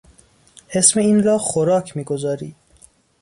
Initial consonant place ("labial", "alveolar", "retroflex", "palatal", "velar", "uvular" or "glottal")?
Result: glottal